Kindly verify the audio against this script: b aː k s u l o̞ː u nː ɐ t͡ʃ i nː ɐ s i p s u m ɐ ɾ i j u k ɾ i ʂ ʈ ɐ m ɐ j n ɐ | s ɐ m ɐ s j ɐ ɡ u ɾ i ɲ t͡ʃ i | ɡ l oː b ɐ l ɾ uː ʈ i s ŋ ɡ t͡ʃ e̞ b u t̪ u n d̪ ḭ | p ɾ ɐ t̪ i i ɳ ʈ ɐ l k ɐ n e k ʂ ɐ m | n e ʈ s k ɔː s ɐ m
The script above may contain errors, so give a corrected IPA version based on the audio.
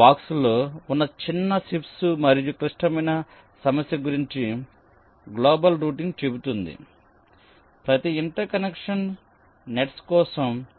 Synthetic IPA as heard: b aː k s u l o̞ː u nː ɐ t͡ʃ i nː ɐ s i p s u m ɐ ɾ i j u k ɾ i ʂ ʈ ɐ m ɐ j n ɐ | s ɐ m ɐ s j ɐ ɡ u ɾ i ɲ t͡ʃ i | ɡ l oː b ɐ l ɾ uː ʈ i ŋ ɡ t͡ʃ e̞ b u t̪ u n d̪ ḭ | p ɾ ɐ t̪ i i ɳ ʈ ɐ ɾ k ɐ n e k ʂ ɐ n | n e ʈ s k ɔː s ɐ m